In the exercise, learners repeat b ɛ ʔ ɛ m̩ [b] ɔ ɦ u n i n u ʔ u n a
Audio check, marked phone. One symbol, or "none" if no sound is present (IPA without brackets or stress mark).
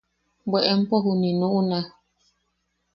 p